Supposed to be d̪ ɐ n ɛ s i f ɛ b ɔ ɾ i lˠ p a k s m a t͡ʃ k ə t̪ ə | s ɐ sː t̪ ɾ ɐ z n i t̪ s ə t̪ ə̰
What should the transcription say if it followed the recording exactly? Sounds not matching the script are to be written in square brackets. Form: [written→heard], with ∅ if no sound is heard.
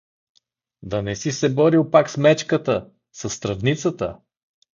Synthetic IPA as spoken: d̪ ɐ n ɛ s i [f→s] ɛ b ɔ ɾ i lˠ p a k s m [a→ɛ] t͡ʃ k ə t̪ ə | s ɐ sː t̪ ɾ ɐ [z→v] n i t̪ s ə t̪ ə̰